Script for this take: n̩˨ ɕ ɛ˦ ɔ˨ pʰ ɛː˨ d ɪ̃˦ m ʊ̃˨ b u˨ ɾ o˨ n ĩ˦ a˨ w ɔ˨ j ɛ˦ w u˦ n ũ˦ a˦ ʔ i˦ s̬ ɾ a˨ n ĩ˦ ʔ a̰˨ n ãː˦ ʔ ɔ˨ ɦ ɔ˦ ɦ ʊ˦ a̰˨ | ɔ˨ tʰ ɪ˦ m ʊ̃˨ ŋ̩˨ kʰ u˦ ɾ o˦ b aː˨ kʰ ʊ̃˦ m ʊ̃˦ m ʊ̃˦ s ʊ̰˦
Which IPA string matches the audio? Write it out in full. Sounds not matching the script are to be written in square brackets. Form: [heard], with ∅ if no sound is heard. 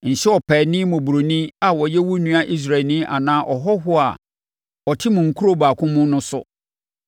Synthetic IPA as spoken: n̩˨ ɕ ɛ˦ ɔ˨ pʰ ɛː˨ [n] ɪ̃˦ m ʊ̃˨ b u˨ ɾ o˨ n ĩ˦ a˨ w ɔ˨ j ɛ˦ w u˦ n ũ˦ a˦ ʔ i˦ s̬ ɾ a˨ n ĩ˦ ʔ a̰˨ n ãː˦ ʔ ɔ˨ ɦ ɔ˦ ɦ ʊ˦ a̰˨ | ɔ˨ tʰ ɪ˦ m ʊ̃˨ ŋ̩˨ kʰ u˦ ɾ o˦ b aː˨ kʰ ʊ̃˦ m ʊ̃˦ [n] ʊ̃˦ s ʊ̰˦

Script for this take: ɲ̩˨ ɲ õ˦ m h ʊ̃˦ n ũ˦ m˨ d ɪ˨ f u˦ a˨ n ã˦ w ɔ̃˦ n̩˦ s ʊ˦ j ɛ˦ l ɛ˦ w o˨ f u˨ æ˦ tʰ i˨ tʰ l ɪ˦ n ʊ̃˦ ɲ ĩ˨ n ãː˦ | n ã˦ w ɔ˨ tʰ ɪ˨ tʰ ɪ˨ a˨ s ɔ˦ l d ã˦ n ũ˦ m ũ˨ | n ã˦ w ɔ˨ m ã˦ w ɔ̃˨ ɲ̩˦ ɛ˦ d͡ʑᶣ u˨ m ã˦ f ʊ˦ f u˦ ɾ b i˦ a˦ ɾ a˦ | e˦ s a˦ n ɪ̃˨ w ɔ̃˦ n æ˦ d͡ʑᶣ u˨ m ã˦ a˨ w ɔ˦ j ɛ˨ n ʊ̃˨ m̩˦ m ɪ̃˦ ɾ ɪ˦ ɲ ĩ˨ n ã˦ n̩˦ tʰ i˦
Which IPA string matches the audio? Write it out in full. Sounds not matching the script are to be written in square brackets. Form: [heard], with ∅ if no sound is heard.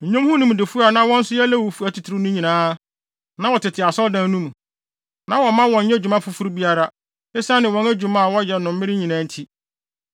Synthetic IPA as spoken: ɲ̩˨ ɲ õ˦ m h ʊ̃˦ n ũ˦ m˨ d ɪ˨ f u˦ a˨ n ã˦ w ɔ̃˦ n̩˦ s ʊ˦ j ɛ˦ l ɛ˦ w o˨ f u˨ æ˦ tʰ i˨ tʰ [ɾ] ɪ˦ n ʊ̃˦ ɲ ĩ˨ n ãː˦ | n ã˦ w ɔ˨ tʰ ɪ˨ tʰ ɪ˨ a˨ s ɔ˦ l d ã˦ n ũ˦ m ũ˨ | n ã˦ w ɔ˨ m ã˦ w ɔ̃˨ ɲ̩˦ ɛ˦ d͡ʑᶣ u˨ m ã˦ f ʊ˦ f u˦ ɾ b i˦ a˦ ɾ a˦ | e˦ s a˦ n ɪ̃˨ w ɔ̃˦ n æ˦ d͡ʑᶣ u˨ m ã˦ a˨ w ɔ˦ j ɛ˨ n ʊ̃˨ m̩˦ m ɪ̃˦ ɾ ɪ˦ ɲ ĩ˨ n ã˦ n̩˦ tʰ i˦

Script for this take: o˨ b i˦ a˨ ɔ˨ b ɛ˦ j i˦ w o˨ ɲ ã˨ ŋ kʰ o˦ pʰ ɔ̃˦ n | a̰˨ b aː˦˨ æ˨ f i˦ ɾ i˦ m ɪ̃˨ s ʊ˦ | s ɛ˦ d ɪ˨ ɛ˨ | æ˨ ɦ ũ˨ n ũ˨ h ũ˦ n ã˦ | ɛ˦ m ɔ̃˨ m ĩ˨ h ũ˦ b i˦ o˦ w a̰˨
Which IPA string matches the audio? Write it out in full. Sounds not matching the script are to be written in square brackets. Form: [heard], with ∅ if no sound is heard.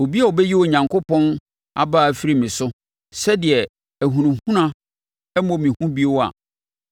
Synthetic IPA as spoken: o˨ b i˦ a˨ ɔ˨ b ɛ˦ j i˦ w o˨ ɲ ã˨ ŋ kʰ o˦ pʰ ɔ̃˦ n | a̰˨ b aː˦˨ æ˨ f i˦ ɾ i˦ m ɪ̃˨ s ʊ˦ | s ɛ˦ d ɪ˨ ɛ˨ | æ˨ ɦ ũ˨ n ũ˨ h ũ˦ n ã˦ | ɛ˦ m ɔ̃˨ m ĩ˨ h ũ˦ b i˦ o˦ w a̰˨

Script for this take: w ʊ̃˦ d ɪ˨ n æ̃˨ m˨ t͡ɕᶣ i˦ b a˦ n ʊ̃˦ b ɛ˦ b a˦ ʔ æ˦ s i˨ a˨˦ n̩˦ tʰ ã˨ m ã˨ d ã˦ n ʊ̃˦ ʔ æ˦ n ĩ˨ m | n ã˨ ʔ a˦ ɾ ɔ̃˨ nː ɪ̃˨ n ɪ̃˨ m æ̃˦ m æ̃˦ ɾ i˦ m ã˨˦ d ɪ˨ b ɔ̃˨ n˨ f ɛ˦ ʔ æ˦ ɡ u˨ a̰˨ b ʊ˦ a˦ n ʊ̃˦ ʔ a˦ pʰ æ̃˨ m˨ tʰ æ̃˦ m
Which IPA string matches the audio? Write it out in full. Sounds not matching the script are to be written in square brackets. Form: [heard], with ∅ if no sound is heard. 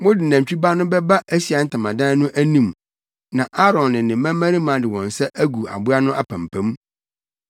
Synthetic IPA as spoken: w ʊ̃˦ d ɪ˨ n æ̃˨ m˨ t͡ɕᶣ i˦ b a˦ n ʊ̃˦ b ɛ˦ b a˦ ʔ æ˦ s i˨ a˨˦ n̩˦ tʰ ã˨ m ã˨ d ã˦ n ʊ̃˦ ʔ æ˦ n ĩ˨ m | n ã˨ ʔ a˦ ɾ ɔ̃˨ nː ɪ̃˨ n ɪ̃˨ m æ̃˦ m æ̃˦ ɾ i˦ m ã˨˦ d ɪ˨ [w] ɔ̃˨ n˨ [s] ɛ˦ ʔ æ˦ ɡ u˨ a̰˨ b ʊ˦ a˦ n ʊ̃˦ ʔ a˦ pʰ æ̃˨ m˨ [pʰ] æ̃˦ m

